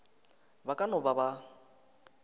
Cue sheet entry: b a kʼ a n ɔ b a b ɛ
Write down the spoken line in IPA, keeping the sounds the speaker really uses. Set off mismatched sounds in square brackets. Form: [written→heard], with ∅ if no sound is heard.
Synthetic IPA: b a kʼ a n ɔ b a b [ɛ→a]